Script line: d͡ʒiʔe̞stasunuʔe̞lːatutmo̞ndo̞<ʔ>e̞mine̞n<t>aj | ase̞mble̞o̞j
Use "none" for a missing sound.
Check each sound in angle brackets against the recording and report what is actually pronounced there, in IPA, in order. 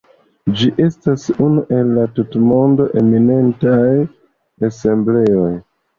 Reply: ʔ, t

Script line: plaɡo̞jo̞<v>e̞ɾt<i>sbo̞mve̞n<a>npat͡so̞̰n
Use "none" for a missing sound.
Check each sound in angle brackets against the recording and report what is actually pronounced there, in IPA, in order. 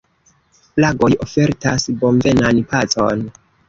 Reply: f, a, a

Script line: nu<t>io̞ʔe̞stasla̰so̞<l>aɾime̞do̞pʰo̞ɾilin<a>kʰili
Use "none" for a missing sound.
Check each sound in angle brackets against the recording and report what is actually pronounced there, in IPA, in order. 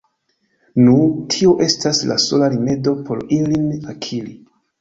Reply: tʰ, l, a

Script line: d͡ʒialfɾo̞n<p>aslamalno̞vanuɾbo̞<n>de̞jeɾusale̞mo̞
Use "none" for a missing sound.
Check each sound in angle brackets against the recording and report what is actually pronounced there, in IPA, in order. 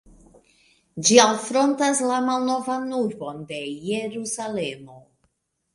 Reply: t, n

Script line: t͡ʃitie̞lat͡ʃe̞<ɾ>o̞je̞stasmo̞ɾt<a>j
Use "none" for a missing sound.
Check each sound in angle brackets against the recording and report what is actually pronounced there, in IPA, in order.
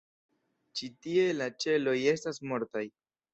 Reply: l, a

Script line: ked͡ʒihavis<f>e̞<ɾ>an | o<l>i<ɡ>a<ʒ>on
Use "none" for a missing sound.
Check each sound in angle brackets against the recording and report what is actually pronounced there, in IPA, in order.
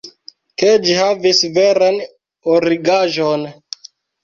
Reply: v, ɾ, ɾ, ɡ, ʒ

